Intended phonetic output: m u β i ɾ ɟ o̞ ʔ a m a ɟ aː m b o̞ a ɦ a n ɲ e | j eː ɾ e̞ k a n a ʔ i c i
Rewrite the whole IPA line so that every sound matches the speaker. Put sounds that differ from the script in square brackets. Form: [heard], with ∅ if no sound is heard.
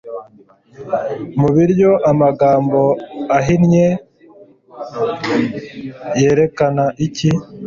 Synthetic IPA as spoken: m u β i ɾ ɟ o̞ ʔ a m a [ɡ] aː m b o̞ a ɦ [i] n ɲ e | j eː ɾ e̞ k a n a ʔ i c i

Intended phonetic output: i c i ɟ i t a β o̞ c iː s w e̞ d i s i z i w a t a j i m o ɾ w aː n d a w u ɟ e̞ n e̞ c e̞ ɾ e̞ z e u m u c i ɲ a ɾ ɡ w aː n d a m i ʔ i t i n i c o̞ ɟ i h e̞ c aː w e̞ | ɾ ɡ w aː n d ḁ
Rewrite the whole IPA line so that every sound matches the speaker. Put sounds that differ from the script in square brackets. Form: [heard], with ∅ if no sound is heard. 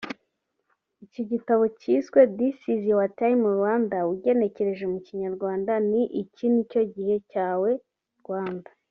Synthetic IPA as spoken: i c i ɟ i t a β o̞ c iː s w e̞ d i s i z i w a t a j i m [u] ɾ w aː n d a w u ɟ e̞ n e̞ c e̞ ɾ e̞ [ʒ] e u m u c i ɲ a ɾ ɡ w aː n d a [n] i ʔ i [c] i n i c o̞ ɟ i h e̞ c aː w e̞ | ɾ ɡ w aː n d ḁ

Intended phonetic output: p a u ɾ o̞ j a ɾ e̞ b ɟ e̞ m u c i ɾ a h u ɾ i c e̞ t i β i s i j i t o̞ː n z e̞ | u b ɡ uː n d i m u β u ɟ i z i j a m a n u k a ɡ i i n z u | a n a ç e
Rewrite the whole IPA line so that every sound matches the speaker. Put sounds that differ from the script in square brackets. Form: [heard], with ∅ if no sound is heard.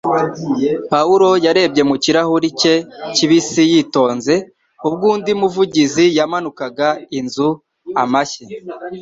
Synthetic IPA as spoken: p a u ɾ o̞ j a ɾ e̞ b ɟ e̞ m u c i ɾ a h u ɾ i c e̞ [c] i β i s i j i t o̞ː n z e̞ | u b ɡ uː n d i m u [v] u ɟ i z i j a m a n u k a ɡ [a] i n z u | a [m] a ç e

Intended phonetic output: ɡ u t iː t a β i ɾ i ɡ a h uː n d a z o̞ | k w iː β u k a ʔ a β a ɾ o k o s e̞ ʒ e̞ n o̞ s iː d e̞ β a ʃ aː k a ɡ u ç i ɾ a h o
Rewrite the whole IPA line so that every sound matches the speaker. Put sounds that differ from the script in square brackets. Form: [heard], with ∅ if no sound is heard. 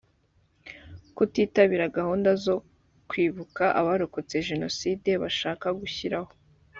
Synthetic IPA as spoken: [k] u t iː t a β i ɾ [a] ɡ a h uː n d a z o̞ | k w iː β u k a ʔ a β a ɾ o k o [t͡s] e̞ ʒ e̞ n o̞ s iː d e̞ β a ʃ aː k a ɡ u ç i ɾ a h o

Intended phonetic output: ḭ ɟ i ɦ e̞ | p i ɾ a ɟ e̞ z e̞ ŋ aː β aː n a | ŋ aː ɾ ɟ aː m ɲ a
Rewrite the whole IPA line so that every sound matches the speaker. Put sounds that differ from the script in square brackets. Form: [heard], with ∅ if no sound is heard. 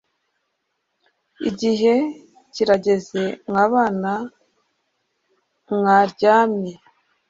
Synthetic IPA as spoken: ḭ ɟ i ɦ e̞ | [c] i ɾ a ɟ e̞ z e̞ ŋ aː β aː n a | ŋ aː ɾ ɟ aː m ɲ [e]

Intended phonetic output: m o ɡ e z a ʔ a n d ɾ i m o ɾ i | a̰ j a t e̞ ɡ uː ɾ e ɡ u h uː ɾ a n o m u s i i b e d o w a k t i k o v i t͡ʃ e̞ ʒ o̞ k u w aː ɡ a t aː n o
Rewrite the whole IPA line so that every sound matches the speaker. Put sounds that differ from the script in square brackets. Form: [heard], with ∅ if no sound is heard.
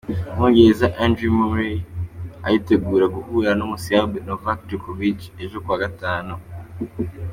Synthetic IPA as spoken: m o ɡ e z a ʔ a n d ɾ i m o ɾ i | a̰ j [i] t e̞ ɡ uː ɾ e ɡ u h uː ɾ a n o m u s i [a] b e [n] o [v] a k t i k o v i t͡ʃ e̞ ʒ o̞ k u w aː ɡ a t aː n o

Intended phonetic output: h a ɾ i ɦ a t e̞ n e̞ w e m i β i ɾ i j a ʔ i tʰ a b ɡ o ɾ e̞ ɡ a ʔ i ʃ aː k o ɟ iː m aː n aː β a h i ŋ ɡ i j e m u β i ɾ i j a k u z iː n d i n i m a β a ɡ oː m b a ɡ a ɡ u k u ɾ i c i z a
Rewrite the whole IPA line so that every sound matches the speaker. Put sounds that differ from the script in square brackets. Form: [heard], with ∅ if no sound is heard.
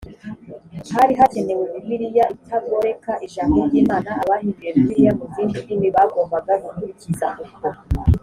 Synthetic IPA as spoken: h a ɾ i ɦ a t e̞ n e̞ w e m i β i ɾ i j a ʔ i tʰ a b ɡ o ɾ e̞ [k] a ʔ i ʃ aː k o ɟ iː m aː n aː β a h i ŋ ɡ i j e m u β i ɾ i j a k u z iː n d i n i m [i] β a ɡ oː m b a ɡ a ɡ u k u ɾ i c i z a

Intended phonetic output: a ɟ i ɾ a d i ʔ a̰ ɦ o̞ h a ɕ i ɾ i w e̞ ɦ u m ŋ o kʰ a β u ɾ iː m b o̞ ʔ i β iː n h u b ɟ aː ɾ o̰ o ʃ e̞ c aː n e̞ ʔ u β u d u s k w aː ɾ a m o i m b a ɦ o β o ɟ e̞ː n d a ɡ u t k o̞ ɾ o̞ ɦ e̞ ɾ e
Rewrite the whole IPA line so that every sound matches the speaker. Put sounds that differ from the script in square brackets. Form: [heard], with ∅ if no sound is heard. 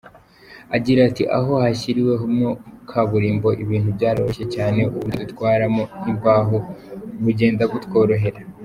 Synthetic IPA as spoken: a ɟ i ɾ a [t] i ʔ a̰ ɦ o̞ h a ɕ i ɾ i w e̞ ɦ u m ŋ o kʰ a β u ɾ iː m b o̞ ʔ i β iː n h u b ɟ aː ɾ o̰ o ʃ e̞ c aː n e̞ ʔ u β u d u [t] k w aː ɾ a m o i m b a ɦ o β [u] ɟ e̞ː n d a ɡ u t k o̞ ɾ o̞ ɦ e̞ ɾ [a]

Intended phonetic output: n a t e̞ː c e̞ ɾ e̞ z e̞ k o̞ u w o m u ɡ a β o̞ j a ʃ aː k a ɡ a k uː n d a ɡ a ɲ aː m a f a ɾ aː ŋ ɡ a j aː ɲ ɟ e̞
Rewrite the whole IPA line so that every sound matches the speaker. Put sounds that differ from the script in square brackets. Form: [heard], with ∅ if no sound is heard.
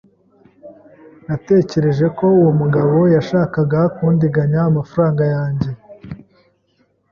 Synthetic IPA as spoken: n a t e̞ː c e̞ ɾ e̞ [ʒ] e̞ k o̞ u w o m u ɡ a β o̞ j a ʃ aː k a ɡ a k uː n d [i] ɡ a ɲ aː m a f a ɾ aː ŋ ɡ a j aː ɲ ɟ e̞

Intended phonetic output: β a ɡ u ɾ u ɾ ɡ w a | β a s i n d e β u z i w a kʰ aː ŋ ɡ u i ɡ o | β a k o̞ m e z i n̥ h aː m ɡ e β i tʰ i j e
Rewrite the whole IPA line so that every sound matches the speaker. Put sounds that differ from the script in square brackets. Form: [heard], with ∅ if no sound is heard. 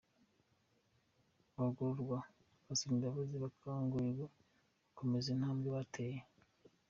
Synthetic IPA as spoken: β a ɡ u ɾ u ɾ ɡ w a | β a s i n d [a] β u z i [β] a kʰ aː ŋ ɡ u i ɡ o | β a k o̞ m e z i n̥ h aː m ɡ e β [a] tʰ [e] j e

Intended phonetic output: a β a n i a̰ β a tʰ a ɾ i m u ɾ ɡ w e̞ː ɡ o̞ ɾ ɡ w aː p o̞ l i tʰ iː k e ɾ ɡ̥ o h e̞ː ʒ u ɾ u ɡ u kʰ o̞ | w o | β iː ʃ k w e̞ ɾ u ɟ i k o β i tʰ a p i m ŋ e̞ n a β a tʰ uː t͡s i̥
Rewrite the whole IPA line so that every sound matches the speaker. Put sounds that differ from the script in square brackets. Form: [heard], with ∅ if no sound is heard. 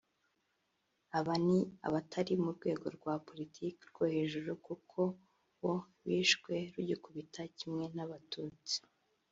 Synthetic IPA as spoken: a β a n i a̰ β a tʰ a ɾ i m u ɾ ɡ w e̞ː ɡ o̞ ɾ ɡ w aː p o̞ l i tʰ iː k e ɾ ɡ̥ o h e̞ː ʒ u ɾ u [k] u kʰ o̞ | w o | β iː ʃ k w e̞ ɾ u ɟ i k [u] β i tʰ a [c] i m ŋ e̞ n a β a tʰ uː t͡s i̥

